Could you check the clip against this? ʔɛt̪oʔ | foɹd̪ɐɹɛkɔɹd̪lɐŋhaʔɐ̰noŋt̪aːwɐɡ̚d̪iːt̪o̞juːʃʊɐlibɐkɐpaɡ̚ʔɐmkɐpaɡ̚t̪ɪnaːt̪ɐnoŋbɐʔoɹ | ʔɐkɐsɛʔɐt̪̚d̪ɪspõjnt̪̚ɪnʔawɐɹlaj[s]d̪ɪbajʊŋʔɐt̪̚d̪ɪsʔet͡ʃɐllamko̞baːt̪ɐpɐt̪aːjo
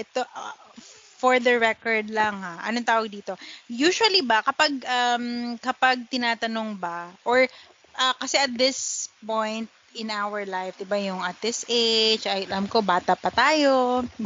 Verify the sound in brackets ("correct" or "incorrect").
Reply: incorrect